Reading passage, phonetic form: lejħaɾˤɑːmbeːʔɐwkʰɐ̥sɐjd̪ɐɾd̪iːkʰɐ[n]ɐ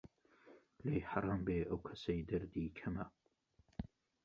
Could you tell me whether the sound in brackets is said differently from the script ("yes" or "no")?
yes